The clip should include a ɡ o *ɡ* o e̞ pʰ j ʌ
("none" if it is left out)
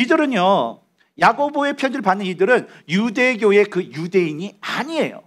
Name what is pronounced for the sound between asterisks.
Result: b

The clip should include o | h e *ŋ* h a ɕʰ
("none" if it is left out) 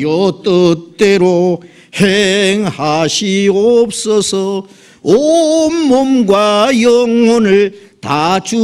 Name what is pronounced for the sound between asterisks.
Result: ŋ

